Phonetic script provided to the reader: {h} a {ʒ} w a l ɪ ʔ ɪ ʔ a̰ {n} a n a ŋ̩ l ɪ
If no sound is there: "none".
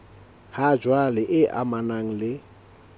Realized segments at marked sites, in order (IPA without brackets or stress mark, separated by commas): h, d͡ʒ, m